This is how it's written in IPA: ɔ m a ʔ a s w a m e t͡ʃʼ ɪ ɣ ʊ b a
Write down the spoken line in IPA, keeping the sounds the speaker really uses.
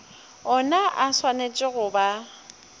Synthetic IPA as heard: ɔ n a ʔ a s w a n e t͡ʃʼ ɪ ɣ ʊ b a